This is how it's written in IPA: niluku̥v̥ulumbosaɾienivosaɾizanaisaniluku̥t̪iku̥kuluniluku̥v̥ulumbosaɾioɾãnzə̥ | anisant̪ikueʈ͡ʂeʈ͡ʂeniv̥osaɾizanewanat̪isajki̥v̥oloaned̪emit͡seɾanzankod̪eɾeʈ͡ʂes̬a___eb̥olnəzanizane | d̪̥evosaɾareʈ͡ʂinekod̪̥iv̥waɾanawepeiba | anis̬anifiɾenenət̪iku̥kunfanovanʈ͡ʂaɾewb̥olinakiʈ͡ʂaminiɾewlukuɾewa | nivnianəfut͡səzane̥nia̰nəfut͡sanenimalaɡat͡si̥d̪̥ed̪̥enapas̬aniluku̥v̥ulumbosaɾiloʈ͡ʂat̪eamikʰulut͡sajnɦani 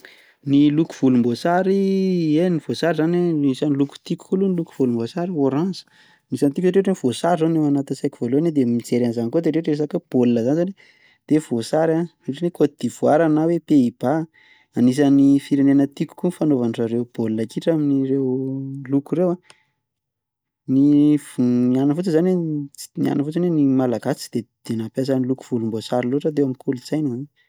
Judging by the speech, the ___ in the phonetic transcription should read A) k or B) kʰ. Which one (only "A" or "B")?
A